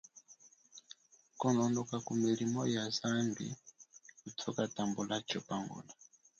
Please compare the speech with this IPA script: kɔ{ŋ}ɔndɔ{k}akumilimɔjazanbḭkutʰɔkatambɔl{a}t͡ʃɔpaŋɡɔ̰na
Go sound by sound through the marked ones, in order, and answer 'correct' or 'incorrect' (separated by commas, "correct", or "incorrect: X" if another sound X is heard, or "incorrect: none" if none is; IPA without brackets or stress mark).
incorrect: n, correct, correct